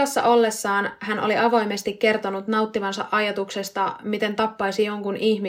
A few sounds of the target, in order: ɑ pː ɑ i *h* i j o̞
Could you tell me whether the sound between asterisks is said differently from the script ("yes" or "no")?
yes